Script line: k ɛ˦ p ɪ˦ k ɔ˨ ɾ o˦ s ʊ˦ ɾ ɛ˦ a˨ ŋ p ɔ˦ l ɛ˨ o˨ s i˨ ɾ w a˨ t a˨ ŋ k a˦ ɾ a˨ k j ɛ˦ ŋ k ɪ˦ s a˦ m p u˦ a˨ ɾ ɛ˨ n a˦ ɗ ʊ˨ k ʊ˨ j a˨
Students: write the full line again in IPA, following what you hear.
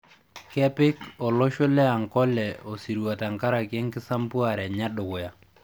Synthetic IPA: k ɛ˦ p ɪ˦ k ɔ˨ l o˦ ʃ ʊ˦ l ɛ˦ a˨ ŋ k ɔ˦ l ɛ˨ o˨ s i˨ ɾ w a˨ t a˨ ŋ k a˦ ɾ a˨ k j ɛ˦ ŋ k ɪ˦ s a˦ m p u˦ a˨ ɾ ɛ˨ ɲ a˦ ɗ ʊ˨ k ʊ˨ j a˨